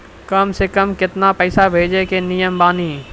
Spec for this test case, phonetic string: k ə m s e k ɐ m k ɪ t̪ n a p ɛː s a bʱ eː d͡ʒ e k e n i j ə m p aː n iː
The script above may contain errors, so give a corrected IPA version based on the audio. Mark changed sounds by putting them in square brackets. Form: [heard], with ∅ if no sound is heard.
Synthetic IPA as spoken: k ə m s e k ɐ m k ɪ t̪ n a p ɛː s a bʱ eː d͡ʒ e k e n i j ə m [b] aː n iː